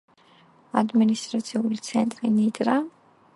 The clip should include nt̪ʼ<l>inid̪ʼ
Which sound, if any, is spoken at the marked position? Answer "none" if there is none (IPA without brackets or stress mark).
ɾ